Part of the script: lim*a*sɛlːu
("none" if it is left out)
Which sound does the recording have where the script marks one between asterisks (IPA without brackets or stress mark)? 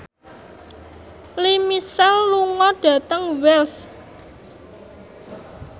i